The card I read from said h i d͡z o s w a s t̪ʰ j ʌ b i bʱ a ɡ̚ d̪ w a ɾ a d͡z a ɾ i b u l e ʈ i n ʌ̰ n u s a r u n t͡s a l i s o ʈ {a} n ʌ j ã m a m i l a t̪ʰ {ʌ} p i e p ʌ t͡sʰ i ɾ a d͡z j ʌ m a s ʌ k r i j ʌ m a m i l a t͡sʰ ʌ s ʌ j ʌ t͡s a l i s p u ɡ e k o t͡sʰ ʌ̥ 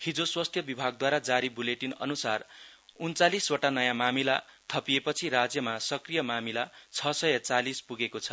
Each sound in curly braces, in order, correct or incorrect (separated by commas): correct, correct